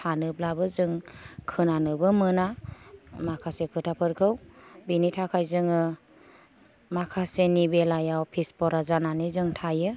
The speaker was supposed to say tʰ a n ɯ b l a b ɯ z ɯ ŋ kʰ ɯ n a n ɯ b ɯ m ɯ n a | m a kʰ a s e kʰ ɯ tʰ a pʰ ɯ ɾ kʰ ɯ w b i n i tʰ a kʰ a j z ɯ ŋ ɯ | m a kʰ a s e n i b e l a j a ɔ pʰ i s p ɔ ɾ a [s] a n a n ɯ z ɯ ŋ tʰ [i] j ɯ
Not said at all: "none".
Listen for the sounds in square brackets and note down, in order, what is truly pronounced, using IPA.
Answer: z, a

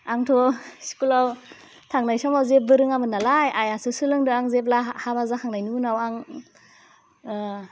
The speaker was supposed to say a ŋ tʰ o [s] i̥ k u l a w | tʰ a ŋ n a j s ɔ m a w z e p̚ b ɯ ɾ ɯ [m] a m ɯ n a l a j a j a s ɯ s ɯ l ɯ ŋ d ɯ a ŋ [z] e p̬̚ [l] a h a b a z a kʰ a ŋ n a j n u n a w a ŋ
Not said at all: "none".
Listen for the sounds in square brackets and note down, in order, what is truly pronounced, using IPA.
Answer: s, ŋ, z, l

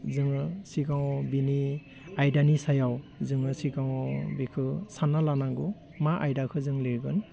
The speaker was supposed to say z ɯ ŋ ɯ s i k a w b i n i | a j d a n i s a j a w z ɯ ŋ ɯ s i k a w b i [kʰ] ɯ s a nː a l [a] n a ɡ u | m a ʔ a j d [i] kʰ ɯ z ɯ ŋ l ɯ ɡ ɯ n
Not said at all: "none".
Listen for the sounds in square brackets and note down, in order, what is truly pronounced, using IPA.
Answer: kʰ, a, a

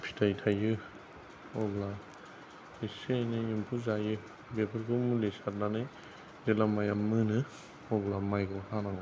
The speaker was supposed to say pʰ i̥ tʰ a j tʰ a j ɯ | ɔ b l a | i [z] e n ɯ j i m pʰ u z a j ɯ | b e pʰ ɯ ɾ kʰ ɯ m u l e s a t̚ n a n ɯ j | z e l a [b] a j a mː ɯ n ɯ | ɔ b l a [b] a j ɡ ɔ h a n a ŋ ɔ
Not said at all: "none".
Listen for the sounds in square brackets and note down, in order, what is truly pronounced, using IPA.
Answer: s, m, m

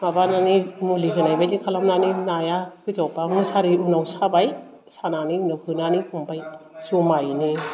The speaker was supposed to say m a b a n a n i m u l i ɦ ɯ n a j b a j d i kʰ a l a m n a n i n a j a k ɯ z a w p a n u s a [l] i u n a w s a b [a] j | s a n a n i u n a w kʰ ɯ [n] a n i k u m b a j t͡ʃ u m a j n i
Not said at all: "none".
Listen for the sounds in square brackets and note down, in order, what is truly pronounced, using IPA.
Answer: ɾ, a, n

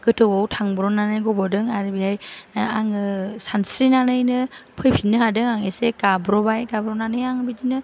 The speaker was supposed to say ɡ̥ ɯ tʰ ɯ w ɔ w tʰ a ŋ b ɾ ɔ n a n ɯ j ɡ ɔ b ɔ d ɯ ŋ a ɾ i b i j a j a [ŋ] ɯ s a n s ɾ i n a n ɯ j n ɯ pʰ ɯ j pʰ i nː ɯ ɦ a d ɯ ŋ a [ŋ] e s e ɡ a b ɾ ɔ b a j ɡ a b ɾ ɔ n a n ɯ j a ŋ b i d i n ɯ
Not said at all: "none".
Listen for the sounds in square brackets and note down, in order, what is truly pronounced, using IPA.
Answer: ŋ, ŋ

